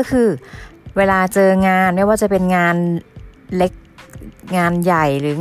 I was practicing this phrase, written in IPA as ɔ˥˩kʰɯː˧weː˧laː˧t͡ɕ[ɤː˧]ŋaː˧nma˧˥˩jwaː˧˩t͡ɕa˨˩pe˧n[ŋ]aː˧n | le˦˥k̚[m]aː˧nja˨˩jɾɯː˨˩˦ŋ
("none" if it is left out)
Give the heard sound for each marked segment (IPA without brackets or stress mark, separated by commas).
ɤː˧, ŋ, ŋ